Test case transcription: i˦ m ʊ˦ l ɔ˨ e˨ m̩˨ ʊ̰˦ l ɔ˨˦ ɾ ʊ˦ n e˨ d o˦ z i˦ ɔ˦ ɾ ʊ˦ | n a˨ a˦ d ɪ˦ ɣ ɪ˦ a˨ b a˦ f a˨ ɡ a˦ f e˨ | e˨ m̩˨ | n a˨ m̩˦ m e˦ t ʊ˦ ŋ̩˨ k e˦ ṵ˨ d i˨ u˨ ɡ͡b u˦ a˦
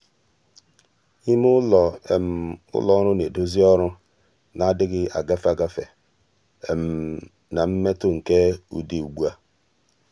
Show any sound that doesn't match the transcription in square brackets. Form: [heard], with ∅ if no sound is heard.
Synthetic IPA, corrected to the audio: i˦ m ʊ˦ l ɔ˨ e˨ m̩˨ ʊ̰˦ l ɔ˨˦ ɾ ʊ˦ n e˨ d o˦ z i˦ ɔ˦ ɾ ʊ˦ | n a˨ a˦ d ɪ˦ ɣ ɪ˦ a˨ [ɡ] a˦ f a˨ ɡ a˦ f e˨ | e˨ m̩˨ | n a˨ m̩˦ m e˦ t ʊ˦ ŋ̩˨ k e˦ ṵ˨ d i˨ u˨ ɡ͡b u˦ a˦

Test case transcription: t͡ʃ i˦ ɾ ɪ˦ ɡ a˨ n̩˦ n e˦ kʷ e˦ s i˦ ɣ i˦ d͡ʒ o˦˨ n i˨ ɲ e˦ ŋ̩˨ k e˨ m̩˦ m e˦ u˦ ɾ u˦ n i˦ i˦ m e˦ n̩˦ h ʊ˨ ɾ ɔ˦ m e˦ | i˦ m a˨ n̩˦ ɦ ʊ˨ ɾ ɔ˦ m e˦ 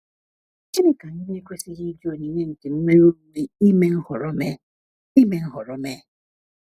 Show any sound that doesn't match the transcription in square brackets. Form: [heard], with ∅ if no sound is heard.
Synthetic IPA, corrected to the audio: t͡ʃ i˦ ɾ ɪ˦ [k] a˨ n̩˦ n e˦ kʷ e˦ s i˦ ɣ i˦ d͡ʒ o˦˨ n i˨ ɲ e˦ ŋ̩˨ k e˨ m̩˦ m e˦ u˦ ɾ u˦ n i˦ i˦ m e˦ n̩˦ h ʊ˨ ɾ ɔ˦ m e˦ | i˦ m [e˨] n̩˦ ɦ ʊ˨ ɾ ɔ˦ m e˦

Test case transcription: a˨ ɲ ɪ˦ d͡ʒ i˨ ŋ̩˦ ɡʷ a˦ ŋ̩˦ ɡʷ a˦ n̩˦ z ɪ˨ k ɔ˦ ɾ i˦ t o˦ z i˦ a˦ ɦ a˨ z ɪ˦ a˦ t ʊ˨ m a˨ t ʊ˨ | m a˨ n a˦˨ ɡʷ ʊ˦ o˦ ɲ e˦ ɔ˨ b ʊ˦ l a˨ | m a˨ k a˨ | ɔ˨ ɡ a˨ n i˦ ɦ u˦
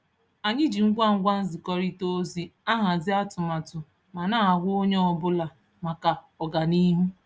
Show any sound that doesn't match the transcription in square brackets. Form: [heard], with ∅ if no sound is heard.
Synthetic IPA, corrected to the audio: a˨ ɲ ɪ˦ d͡ʒ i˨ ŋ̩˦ ɡʷ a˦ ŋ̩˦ ɡʷ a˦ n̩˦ z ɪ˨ k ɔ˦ ɾ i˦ t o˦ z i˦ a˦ ɦ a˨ z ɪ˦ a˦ t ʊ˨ m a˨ t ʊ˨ | m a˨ n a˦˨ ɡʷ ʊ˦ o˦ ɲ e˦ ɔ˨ b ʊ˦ l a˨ | m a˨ k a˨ | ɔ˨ ɡ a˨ n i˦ ɦ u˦

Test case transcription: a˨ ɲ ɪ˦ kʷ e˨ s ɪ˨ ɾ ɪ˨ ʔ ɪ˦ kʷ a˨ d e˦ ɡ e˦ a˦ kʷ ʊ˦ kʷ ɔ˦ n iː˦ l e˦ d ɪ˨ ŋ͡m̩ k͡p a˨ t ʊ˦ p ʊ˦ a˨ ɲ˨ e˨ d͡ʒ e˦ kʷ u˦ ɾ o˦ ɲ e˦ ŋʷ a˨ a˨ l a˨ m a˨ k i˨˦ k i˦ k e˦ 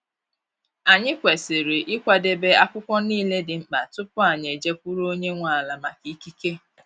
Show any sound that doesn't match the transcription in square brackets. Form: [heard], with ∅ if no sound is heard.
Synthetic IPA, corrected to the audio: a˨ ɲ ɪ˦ kʷ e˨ s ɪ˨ ɾ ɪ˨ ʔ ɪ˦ kʷ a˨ d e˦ [b] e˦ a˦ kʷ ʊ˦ kʷ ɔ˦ n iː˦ l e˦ d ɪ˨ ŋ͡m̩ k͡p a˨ t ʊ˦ p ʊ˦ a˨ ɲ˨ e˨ d͡ʒ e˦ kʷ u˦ ɾ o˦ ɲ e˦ ŋʷ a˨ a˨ l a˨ m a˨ k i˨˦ k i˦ k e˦

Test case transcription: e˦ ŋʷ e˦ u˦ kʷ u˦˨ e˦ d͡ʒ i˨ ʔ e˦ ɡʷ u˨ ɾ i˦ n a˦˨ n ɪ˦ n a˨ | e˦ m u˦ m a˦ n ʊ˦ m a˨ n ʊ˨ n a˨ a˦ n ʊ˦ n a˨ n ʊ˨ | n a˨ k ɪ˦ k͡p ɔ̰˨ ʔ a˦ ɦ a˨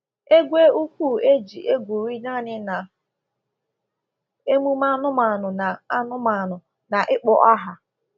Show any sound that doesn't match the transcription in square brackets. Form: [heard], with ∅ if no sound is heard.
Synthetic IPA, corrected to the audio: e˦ [ɡʷ] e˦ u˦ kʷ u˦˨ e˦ d͡ʒ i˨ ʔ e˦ ɡʷ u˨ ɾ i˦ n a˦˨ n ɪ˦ n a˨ | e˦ m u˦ m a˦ n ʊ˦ m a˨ n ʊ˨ n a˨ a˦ n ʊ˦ [m] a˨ n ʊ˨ | n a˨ [ʔ] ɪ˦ k͡p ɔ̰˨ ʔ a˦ ɦ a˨

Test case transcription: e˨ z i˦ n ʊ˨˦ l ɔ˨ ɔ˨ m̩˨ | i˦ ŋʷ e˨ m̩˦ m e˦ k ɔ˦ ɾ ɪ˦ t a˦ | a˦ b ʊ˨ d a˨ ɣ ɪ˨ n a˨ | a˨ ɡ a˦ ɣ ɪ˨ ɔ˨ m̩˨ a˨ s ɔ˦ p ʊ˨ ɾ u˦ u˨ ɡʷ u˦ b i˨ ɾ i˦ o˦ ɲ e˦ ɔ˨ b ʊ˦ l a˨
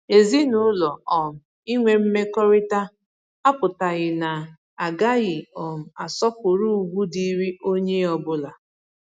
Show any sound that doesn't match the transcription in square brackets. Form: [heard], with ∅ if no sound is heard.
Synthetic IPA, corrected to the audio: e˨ z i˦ n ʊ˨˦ l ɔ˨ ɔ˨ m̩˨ | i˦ ŋʷ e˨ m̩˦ m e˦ k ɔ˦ ɾ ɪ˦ t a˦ | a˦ [p] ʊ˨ [t] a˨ ɣ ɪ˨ n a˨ | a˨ ɡ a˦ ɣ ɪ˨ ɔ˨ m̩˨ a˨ s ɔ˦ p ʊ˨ ɾ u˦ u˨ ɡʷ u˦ [d] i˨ ɾ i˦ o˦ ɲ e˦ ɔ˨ b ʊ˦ l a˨

